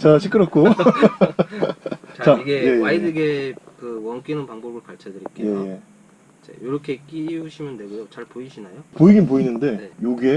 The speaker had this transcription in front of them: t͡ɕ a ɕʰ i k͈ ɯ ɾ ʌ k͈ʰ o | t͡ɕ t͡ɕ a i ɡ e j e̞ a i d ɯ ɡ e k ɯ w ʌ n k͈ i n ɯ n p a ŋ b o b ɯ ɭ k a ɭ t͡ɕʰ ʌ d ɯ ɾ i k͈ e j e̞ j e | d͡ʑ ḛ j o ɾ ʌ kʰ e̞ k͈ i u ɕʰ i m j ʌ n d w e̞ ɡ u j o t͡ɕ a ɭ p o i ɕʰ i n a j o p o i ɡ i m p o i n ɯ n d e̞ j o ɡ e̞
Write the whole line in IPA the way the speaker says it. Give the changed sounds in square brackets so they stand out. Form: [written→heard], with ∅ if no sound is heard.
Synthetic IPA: t͡ɕ a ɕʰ i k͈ ɯ ɾ ʌ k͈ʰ o | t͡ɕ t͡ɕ a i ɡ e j e̞ a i d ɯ ɡ e k ɯ w ʌ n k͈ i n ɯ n p a ŋ b o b ɯ ɭ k a ɭ t͡ɕʰ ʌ d ɯ ɾ i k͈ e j e̞ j e | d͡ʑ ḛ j o ɾ ʌ kʰ e̞ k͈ i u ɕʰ i m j ʌ n d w e̞ ɡ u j o t͡ɕ a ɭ p o i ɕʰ i n a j o p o i ɡ i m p o i n ɯ n d e̞ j o ɡ e̞

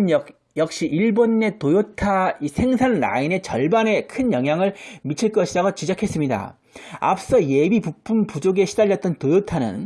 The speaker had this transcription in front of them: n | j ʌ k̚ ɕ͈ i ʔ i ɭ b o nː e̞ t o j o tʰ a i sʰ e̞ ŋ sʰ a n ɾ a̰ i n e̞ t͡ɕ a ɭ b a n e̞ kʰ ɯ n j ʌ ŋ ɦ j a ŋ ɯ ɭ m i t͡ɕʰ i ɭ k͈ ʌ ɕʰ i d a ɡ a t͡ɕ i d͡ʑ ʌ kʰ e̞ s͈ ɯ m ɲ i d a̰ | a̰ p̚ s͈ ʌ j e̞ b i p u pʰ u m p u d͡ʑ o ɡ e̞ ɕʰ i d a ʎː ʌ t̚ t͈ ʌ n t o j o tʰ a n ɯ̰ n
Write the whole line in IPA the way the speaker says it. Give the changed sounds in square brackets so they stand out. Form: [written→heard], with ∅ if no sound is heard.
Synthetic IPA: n | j ʌ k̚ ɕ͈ i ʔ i ɭ b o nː e̞ t o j o tʰ a i sʰ e̞ ŋ sʰ a n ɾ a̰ i n e̞ t͡ɕ [a→ʌ] ɭ b a n e̞ kʰ ɯ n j ʌ ŋ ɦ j a ŋ ɯ ɭ m i t͡ɕʰ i ɭ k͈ ʌ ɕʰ i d a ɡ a t͡ɕ i d͡ʑ ʌ kʰ e̞ s͈ ɯ m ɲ i d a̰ | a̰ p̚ s͈ ʌ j e̞ b i p u pʰ u m p u d͡ʑ o ɡ e̞ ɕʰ i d a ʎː ʌ t̚ t͈ ʌ n t o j o tʰ a n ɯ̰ n

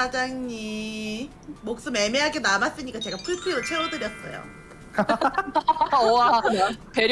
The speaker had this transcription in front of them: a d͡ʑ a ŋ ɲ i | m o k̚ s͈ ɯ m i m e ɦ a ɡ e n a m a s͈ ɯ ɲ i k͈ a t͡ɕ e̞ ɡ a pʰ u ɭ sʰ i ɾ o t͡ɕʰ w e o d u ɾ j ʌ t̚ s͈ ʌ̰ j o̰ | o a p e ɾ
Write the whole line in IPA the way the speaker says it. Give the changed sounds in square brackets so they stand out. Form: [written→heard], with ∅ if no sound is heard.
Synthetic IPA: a d͡ʑ a ŋ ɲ i | m o k̚ s͈ ɯ m [i→e] m e ɦ a ɡ e n a m a s͈ ɯ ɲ i k͈ a t͡ɕ e̞ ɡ a pʰ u ɭ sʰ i ɾ o t͡ɕʰ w e o d [u→ɯ] ɾ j ʌ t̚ s͈ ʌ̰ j o̰ | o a p e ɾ

